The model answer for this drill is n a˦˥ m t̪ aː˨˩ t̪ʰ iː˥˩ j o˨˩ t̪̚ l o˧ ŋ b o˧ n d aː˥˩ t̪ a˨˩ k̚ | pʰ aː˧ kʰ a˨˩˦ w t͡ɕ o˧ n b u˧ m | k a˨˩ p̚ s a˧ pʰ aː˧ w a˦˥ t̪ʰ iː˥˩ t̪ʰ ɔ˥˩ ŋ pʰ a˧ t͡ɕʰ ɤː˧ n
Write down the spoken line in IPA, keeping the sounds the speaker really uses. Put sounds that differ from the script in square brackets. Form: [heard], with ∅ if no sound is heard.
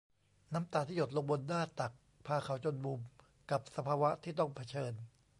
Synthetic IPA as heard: n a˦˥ m t̪ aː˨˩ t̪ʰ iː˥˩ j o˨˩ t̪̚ l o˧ ŋ b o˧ n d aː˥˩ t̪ a˨˩ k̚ | pʰ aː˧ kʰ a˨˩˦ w t͡ɕ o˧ n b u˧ m | k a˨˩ p̚ s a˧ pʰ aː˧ w a˦˥ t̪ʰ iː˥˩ [t̪] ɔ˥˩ ŋ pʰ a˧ t͡ɕʰ ɤː˧ n